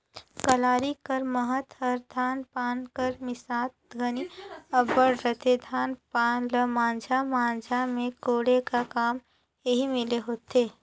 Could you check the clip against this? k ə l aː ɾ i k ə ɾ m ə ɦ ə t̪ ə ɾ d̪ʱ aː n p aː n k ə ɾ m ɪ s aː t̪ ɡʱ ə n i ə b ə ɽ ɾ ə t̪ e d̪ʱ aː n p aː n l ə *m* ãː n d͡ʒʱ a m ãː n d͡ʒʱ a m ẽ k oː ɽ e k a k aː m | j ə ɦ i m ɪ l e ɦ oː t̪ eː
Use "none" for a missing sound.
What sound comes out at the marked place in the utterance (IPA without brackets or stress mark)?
m